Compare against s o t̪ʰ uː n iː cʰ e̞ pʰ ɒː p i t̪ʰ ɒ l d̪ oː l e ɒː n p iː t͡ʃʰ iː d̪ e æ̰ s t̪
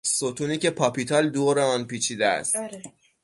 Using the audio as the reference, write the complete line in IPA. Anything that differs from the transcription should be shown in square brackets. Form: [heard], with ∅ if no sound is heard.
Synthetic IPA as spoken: s o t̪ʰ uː n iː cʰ e̞ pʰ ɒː p i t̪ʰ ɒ l d̪ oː [ɾ] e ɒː n p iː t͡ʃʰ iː d̪ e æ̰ s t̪